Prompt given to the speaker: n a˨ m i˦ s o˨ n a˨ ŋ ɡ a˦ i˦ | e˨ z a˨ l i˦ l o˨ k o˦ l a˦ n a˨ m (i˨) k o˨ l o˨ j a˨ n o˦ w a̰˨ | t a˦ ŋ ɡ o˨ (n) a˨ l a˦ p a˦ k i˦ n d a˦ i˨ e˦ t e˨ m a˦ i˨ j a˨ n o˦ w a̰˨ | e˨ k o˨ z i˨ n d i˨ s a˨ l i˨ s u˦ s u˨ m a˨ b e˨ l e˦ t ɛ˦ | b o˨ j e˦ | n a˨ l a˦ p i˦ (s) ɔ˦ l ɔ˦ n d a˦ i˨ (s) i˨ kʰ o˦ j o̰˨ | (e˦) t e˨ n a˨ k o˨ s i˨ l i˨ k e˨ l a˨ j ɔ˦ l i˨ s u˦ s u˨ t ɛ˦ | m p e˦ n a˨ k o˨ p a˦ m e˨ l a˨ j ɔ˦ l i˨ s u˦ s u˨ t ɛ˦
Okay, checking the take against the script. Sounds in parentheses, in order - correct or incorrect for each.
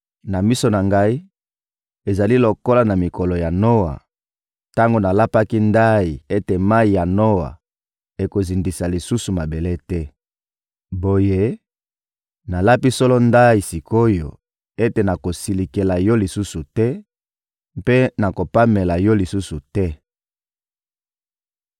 correct, correct, correct, correct, correct

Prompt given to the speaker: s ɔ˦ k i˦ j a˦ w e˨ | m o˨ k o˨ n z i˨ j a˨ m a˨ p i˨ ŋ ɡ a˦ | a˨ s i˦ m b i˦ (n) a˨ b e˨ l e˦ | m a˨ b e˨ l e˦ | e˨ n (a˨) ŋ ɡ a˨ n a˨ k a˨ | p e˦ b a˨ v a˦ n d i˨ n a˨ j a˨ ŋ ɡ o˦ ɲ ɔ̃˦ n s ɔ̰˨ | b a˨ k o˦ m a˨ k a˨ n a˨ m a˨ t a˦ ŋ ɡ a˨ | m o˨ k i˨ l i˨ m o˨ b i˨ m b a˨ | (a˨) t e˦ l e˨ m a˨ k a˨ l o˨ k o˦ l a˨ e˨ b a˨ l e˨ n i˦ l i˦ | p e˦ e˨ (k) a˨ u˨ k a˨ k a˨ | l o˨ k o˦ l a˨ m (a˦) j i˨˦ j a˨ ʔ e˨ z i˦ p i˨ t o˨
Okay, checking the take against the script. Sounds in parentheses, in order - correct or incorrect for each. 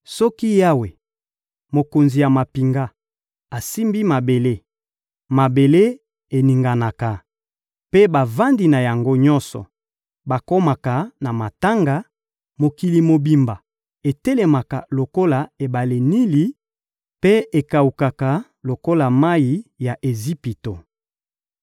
incorrect: m, incorrect: i˨, incorrect: e˨, correct, correct

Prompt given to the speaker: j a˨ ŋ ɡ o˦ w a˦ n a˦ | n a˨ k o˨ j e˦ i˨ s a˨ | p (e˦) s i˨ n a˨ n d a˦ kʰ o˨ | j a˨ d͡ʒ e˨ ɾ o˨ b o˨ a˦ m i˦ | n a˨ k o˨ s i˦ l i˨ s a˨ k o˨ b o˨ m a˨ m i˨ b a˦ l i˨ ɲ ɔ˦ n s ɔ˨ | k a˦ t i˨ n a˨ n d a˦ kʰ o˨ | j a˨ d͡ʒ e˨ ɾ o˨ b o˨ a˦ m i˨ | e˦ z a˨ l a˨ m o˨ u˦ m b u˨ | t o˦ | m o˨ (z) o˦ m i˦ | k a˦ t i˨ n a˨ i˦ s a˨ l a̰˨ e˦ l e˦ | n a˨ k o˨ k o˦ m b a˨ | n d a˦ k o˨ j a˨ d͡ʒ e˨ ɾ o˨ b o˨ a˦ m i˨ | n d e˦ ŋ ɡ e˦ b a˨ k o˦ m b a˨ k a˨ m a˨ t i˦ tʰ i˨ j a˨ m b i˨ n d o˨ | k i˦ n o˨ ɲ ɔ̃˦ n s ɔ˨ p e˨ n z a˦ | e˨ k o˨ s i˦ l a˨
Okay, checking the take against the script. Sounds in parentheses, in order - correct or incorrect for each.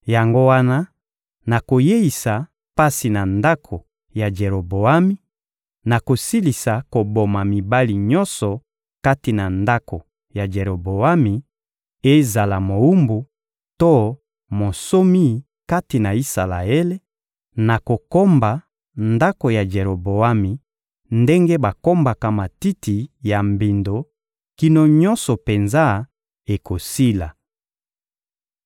incorrect: a˦, incorrect: s

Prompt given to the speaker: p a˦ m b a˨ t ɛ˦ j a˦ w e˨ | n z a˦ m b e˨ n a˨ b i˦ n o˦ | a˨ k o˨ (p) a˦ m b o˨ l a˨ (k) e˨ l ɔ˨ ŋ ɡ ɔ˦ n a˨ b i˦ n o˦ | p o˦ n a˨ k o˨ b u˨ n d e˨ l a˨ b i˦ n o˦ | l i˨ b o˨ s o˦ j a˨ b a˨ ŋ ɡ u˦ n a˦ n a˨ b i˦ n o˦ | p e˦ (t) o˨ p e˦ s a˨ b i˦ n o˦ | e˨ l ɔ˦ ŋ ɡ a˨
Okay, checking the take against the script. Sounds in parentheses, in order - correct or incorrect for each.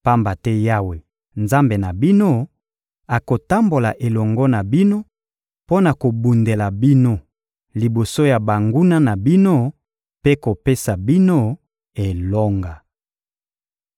incorrect: t, incorrect: ʔ, incorrect: k

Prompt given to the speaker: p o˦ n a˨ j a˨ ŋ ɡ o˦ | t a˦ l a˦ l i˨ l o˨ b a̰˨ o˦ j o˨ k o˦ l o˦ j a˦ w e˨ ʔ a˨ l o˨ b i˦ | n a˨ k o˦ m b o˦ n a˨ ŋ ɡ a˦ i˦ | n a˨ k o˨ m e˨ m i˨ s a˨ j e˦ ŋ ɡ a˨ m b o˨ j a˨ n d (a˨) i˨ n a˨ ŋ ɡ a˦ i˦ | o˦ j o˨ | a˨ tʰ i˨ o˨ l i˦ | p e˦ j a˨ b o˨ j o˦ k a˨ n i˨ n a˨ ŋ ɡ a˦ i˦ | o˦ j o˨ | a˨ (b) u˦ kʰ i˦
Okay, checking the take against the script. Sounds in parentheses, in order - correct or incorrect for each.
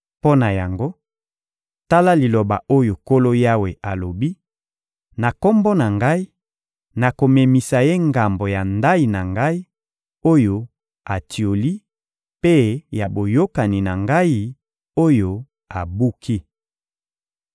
incorrect: a˦, correct

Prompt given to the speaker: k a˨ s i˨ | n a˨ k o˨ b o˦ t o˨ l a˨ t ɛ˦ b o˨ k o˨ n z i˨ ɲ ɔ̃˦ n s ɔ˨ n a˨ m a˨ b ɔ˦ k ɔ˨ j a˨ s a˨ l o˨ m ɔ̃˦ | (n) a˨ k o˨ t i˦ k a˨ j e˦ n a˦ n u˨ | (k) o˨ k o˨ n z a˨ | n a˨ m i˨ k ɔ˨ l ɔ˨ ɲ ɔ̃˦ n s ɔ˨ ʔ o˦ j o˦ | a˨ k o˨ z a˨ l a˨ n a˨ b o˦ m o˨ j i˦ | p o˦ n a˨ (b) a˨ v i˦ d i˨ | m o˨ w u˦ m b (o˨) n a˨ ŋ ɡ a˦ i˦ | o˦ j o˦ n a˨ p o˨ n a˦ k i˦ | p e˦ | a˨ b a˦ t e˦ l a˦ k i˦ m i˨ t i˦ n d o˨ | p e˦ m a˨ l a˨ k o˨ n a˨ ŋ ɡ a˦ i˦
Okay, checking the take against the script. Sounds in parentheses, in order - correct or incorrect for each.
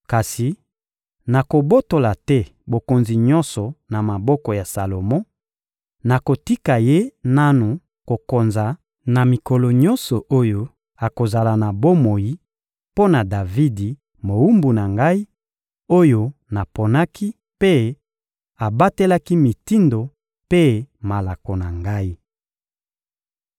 correct, correct, incorrect: d, incorrect: u˨

